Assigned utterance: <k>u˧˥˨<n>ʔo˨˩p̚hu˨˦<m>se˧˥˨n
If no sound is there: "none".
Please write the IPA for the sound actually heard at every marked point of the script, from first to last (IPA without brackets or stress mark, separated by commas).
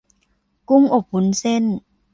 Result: k, ŋ, n